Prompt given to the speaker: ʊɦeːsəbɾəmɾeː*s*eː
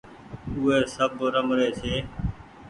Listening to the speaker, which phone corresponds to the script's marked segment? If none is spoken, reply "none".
s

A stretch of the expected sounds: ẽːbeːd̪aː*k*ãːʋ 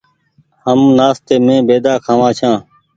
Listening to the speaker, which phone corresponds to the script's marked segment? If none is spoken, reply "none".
kʰ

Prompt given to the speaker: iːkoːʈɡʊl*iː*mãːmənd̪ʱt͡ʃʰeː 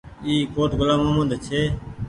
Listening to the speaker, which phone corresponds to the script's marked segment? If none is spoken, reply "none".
aː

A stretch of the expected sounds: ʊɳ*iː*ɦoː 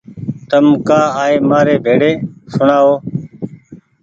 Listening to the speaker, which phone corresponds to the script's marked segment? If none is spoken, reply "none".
aː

